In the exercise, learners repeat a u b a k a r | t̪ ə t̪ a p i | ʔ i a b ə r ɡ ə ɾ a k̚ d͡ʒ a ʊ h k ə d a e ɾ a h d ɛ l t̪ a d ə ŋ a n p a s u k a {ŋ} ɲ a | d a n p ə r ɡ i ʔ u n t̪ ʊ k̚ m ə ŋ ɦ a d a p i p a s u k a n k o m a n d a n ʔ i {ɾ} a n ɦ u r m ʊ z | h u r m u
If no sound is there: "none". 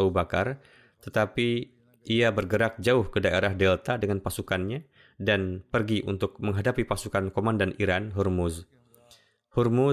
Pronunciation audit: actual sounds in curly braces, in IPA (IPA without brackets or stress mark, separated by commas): n, ɾ